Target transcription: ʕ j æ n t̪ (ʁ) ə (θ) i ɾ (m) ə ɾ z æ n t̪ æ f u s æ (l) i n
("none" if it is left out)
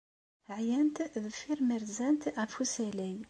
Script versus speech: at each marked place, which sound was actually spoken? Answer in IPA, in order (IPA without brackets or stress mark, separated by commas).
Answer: ð, f, m, l